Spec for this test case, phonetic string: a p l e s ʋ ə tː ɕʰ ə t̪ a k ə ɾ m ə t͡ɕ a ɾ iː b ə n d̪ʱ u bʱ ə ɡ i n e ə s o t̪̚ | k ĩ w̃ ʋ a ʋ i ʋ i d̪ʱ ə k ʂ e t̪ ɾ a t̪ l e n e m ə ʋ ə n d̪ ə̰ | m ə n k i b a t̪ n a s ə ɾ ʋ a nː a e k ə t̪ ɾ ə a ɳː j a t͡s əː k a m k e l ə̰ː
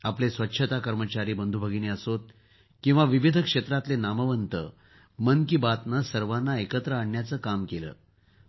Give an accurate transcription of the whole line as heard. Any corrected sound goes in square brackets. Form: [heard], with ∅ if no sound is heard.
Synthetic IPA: a p l e s ʋ ə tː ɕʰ ə t̪ a k ə ɾ m ə t͡ɕ a ɾ iː b ə n d̪ʱ u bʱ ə ɡ i n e ə s o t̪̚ | k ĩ w̃ ʋ a ʋ i ʋ i d̪ʱ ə k ʂ e t̪ ɾ a t̪ l e n [a] m ə ʋ ə n [t̪] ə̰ | m ə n k i b a t̪ n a s ə ɾ ʋ a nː a e k ə t̪ ɾ ə a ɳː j a t͡s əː k a m k e l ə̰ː